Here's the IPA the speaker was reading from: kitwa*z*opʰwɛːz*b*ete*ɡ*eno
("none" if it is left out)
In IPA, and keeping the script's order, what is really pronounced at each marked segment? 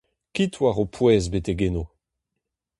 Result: ʁ, b, ɡ

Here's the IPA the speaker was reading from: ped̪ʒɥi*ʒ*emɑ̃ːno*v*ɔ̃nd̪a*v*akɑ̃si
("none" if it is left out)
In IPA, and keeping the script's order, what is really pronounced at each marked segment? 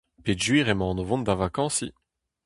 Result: ʁ, v, v

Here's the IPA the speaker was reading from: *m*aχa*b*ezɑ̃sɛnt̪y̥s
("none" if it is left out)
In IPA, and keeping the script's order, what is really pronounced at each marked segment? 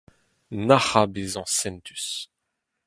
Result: n, b

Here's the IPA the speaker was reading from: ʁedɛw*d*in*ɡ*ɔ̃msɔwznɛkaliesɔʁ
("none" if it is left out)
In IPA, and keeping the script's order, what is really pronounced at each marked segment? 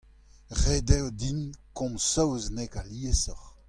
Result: d, k

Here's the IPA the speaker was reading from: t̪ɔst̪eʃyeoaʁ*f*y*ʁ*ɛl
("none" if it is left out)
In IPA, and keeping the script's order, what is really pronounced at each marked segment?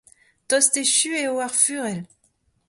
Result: f, ʁ

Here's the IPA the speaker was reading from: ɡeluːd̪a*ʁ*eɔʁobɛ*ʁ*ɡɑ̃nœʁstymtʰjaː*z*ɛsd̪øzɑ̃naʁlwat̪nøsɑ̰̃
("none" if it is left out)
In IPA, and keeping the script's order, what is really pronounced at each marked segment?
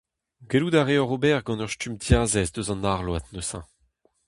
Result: ʁ, ʁ, z

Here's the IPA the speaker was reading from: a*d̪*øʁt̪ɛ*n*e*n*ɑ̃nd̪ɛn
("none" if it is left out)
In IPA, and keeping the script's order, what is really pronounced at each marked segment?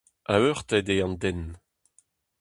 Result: none, d, none

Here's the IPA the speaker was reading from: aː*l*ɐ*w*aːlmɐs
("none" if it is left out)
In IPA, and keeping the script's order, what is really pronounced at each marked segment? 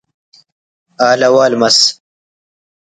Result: l, w

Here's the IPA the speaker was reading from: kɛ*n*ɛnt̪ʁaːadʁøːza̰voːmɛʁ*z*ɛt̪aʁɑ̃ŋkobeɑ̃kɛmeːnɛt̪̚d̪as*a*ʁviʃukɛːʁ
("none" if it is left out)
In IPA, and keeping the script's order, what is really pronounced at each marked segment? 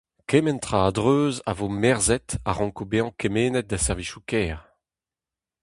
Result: m, z, ɛ

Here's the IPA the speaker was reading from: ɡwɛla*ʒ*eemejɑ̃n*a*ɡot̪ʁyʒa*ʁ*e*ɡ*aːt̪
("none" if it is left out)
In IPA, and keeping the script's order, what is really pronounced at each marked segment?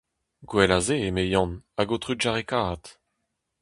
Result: z, a, ʁ, k

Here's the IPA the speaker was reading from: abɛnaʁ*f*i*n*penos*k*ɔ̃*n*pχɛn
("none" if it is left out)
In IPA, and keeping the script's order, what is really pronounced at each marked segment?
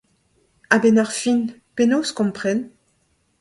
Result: f, n, k, m

